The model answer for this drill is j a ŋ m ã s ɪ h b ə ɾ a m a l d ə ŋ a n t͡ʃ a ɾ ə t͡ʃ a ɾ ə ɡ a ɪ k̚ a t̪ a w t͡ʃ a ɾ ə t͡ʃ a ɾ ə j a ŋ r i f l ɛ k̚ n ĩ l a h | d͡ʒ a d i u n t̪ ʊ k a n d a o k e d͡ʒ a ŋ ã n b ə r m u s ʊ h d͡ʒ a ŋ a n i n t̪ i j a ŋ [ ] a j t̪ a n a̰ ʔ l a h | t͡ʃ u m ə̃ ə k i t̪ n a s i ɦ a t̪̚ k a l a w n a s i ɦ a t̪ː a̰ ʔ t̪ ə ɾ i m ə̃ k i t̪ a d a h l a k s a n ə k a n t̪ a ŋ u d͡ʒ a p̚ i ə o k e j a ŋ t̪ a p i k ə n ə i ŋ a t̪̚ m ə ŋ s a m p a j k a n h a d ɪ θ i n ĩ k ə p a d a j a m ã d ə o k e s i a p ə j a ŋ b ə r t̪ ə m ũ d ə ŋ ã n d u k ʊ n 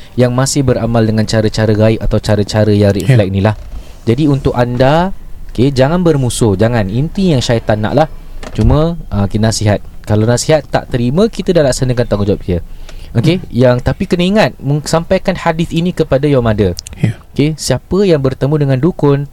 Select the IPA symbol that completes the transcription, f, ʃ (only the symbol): ʃ